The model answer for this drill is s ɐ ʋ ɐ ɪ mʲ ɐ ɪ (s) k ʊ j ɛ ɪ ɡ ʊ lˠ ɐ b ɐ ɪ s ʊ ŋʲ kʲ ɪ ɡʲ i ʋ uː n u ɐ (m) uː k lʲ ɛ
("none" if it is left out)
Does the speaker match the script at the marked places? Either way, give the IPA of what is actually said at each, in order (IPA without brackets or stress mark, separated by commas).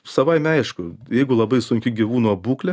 ʃ, b